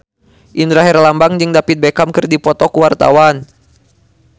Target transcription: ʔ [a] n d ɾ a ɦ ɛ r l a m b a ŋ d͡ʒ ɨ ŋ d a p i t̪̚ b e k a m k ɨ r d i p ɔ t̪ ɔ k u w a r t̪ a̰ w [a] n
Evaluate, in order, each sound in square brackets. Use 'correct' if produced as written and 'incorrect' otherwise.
incorrect, correct

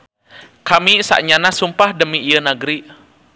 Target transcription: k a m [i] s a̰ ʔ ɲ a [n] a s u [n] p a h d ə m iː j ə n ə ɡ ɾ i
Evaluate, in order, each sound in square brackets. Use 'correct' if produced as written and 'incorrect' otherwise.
correct, correct, incorrect

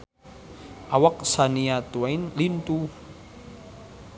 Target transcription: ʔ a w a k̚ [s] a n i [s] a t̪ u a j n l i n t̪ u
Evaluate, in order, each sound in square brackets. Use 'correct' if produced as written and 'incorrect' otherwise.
correct, incorrect

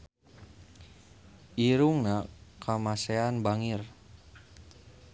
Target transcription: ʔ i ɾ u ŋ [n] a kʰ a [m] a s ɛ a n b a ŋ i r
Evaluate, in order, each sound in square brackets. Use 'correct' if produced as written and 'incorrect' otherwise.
correct, correct

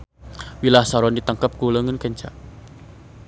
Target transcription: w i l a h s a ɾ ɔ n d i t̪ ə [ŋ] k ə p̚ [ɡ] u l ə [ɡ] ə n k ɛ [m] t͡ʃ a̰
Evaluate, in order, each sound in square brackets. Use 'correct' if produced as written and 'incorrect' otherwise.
correct, incorrect, incorrect, incorrect

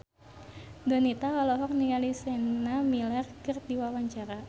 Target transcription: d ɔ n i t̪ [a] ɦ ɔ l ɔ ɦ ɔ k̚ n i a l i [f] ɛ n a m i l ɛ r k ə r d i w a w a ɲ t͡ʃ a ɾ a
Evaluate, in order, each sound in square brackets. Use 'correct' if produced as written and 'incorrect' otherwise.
correct, incorrect

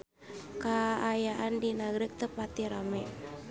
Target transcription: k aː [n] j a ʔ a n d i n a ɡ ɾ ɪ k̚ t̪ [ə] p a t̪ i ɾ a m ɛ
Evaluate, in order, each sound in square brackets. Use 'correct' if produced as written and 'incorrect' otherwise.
incorrect, correct

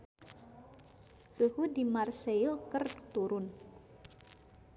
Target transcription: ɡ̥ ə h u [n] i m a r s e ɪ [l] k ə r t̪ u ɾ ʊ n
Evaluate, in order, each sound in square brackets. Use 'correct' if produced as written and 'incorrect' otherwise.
incorrect, correct

